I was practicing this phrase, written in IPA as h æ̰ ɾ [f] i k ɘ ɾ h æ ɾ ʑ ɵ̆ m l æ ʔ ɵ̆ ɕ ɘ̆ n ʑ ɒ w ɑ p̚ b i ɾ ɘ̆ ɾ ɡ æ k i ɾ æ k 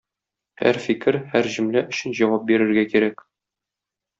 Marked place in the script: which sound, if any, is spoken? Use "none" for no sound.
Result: f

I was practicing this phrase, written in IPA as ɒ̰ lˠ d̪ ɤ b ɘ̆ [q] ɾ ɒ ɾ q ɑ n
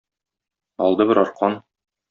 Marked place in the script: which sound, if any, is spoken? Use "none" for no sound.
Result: none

